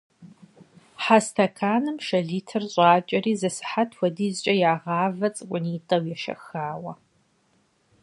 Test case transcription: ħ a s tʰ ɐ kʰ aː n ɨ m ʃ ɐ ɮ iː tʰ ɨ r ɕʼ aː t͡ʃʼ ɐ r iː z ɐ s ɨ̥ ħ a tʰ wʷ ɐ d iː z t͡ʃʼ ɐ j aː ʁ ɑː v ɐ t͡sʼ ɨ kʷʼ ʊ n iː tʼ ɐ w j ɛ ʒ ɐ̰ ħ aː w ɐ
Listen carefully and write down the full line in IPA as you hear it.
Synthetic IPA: ħ a s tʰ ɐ kʰ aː n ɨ m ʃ ɐ ɮ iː tʰ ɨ r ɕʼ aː t͡ʃʼ ɐ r iː z ɐ s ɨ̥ ħ a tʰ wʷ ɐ d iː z t͡ʃʼ ɐ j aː ʁ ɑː v ɐ t͡sʼ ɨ kʷʼ ʊ n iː tʼ ɐ w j ɛ ʃ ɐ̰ x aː w ɐ